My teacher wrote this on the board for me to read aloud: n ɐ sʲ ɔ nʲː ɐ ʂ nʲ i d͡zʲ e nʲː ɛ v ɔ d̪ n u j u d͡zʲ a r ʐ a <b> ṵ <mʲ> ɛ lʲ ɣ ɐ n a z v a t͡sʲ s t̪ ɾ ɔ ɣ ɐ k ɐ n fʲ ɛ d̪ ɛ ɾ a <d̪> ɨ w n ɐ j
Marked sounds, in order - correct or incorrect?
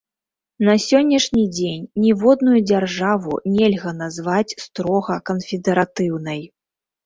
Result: incorrect: v, incorrect: nʲ, incorrect: t̪

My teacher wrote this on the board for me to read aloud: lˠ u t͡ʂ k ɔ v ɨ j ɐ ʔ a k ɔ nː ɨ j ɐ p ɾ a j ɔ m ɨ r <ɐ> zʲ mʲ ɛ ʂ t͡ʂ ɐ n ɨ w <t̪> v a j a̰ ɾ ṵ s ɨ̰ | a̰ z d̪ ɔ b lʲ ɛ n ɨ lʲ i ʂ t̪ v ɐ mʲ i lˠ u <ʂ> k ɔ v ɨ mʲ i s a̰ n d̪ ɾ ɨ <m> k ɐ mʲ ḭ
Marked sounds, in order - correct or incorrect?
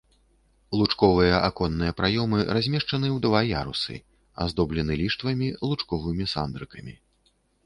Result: incorrect: a, incorrect: d̪, incorrect: t͡ʂ, incorrect: none

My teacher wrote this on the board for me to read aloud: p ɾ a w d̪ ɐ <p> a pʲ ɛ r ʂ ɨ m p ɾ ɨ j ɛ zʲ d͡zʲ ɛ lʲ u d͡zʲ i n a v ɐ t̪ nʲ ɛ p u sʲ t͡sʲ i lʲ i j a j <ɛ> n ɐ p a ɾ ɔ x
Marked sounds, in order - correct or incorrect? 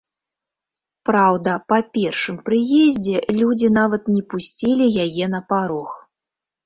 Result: correct, correct

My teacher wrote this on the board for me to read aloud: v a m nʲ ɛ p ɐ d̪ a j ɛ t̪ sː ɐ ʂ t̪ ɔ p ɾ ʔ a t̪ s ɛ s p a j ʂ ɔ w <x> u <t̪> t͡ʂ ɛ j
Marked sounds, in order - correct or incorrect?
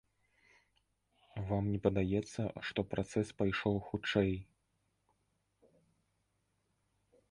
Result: correct, incorrect: none

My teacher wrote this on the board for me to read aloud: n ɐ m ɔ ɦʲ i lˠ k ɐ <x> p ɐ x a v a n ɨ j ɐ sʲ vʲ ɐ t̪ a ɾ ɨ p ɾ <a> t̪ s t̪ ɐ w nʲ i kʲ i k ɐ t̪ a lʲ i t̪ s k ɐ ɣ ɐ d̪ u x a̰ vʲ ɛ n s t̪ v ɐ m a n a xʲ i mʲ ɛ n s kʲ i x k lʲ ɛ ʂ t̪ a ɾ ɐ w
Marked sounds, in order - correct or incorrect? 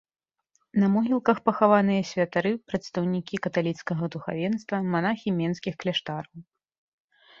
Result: correct, incorrect: ɐ

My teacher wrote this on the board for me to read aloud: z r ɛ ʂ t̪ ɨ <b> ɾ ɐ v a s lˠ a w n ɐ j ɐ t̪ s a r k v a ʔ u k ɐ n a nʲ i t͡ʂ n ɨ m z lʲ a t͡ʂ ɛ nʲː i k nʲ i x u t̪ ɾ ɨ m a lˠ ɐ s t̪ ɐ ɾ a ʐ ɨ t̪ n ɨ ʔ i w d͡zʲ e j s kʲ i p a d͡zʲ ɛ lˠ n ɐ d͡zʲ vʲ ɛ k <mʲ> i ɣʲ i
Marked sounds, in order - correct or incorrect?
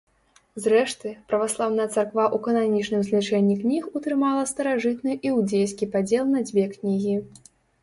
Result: incorrect: p, incorrect: nʲ

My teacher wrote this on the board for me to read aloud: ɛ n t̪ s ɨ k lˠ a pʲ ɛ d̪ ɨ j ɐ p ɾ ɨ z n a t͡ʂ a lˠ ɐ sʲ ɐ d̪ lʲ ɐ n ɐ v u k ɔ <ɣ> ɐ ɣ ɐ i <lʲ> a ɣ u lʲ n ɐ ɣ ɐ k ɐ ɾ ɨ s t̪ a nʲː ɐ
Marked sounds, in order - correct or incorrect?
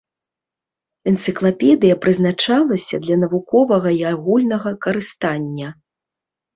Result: incorrect: v, incorrect: none

